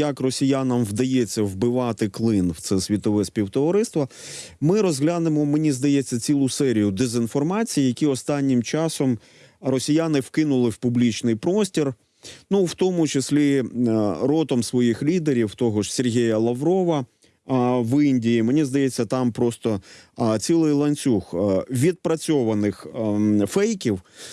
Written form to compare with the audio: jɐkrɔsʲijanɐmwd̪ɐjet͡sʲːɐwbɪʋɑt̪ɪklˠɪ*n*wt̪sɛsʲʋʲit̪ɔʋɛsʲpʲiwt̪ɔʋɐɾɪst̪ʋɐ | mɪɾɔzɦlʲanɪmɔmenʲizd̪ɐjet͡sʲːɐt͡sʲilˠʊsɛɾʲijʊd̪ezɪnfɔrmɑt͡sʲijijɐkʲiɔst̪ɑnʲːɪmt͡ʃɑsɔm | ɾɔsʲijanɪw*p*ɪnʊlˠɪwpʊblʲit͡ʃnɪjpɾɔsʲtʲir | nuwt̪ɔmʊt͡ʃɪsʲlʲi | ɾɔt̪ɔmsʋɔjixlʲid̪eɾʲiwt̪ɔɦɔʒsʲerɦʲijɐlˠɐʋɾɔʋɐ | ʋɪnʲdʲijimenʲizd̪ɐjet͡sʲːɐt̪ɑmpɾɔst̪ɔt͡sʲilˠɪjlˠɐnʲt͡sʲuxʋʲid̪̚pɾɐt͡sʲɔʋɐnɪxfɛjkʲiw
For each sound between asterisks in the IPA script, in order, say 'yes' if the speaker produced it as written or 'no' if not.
yes, no

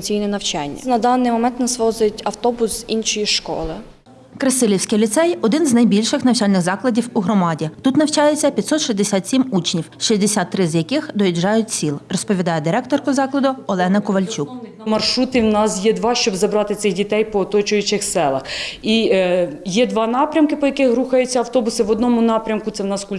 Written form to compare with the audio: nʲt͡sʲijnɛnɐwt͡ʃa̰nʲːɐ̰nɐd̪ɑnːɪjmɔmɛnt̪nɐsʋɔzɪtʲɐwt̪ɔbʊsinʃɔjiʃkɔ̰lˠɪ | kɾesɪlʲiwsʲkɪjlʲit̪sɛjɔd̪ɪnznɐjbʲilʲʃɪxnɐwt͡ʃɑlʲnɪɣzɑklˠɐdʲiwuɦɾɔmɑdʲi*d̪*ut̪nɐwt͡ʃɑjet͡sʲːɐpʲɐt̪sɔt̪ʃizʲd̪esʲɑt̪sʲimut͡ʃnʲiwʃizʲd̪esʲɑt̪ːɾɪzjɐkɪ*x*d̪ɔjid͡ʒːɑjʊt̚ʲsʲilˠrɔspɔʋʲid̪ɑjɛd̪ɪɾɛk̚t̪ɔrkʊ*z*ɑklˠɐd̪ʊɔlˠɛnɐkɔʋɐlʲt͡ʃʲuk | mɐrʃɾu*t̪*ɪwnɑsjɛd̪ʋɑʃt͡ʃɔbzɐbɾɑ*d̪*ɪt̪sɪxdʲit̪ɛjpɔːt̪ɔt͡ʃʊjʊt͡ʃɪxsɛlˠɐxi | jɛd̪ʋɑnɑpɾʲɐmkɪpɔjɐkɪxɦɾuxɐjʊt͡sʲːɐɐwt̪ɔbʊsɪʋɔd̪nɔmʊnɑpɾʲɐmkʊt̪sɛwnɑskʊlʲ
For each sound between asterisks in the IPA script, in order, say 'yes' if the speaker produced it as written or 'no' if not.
no, yes, yes, yes, no

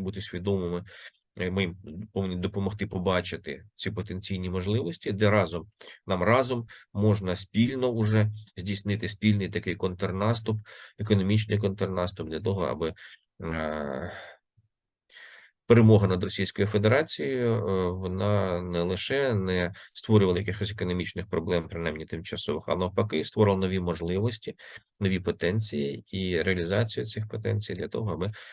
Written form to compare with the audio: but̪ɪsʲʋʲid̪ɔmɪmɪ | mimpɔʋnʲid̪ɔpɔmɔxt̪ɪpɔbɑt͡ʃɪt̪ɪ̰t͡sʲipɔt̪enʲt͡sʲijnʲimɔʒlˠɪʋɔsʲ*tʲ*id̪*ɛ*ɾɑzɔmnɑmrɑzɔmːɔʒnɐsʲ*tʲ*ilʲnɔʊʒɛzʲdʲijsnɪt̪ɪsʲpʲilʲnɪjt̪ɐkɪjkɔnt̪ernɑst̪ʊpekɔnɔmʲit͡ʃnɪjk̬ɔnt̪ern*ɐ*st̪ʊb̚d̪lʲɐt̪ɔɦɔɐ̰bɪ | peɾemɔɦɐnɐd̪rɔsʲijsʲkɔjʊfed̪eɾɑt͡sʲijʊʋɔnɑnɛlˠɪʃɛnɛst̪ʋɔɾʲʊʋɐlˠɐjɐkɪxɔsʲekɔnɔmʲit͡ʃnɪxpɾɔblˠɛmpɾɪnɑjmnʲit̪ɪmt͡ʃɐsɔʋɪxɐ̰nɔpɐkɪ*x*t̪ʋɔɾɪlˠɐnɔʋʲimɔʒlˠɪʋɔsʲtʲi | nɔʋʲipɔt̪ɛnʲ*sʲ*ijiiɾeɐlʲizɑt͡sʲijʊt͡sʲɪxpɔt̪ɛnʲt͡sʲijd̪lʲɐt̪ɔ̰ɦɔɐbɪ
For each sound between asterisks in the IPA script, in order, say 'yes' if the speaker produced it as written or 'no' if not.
yes, yes, no, no, no, no

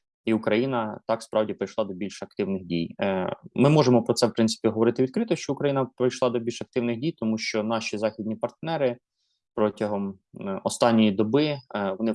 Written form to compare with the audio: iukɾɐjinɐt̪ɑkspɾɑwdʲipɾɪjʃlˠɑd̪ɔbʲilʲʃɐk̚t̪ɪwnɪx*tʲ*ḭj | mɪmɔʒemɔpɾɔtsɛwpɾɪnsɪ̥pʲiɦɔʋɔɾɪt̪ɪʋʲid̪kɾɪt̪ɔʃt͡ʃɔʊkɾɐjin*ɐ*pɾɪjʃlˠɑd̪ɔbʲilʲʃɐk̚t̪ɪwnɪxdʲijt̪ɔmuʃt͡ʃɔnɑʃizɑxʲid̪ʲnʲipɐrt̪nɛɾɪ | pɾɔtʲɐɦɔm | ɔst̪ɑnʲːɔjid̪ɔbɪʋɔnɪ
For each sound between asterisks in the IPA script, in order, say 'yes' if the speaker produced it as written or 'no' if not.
no, yes

